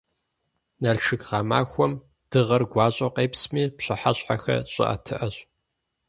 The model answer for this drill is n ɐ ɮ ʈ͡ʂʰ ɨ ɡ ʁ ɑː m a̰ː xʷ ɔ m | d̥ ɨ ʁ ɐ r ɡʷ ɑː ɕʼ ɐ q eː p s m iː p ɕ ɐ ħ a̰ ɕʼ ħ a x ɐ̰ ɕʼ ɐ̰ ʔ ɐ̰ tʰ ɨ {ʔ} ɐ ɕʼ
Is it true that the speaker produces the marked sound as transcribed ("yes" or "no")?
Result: yes